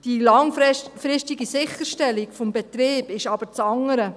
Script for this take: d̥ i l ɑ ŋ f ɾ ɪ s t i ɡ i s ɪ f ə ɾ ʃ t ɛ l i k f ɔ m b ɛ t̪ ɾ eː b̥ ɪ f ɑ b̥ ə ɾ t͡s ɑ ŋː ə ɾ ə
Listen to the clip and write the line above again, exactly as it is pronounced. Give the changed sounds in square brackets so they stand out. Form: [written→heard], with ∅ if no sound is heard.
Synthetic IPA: d̥ i l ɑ ŋ f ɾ ɪ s t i ɡ i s ɪ [f→χ] ə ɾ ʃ t ɛ l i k f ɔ m b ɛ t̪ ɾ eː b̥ ɪ [f→ʃ] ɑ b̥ ə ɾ t͡s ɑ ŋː ə ɾ ə